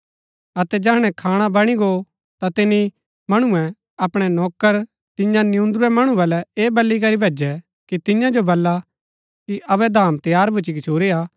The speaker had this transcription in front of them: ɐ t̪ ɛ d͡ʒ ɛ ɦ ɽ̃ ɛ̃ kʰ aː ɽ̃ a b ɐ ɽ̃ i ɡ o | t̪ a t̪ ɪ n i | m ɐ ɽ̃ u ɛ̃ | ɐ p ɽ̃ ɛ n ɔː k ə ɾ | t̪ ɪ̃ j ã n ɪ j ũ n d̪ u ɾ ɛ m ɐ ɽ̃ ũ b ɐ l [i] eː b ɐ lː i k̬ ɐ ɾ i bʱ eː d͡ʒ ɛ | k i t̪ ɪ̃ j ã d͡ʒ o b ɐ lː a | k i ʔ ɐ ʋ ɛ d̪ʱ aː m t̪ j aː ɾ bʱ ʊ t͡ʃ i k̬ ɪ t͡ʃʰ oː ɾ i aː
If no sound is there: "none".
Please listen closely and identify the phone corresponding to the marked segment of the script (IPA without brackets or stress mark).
ɛ